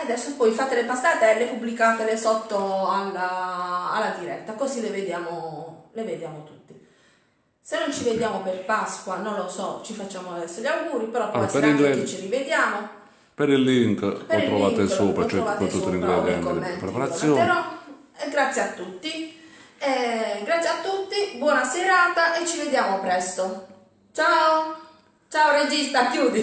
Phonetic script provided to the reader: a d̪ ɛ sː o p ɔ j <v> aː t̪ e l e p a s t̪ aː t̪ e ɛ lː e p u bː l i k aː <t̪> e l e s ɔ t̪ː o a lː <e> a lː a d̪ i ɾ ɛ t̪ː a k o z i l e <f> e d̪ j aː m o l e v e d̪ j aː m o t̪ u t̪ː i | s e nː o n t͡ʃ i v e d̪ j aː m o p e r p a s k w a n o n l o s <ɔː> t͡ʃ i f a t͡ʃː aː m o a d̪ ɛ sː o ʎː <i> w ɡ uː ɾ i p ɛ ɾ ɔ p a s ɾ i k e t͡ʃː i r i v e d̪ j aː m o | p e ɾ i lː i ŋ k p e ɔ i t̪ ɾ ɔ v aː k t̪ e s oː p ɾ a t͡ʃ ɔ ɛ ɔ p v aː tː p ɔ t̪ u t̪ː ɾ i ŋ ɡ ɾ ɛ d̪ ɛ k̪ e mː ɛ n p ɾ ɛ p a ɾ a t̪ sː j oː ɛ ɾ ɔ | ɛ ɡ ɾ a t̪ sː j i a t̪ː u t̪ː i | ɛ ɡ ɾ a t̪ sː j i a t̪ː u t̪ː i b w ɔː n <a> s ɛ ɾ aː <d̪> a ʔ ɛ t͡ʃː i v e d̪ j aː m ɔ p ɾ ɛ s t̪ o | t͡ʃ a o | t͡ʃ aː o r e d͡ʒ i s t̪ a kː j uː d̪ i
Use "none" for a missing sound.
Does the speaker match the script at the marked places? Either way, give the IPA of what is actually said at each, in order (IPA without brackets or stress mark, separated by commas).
f, t̪, a, v, ɔ, a, a, t̪